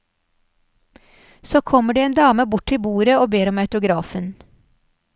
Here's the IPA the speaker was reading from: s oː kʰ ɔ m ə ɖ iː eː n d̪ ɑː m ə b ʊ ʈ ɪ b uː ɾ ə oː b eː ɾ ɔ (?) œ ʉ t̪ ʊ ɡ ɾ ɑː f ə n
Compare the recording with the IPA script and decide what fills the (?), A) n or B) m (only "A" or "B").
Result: B